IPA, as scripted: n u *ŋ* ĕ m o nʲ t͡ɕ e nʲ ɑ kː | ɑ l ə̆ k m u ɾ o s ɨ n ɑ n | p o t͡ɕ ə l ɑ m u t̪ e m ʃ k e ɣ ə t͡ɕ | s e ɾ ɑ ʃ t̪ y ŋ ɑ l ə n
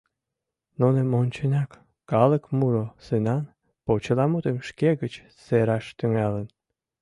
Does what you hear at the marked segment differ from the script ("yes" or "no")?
yes